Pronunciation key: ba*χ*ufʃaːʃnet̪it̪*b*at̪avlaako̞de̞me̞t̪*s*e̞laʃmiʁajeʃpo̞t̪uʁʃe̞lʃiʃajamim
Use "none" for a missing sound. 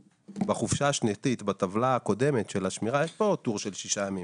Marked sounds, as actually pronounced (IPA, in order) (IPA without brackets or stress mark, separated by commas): χ, b, ʃ